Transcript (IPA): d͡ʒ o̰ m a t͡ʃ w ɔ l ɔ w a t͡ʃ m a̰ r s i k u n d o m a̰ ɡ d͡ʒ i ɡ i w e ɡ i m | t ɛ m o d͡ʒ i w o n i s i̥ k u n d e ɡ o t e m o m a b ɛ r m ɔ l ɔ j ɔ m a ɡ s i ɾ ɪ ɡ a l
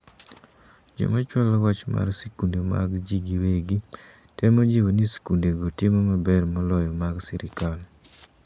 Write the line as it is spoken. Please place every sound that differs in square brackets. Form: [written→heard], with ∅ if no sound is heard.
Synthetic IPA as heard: d͡ʒ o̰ m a t͡ʃ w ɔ l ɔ w a t͡ʃ m a̰ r s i k u n d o m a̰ ɡ d͡ʒ i ɡ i w e ɡ i [m→∅] | t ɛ m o d͡ʒ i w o n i s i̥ k u n d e ɡ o t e m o m a b ɛ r m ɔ l ɔ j ɔ m a ɡ s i ɾ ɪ [ɡ→k] a l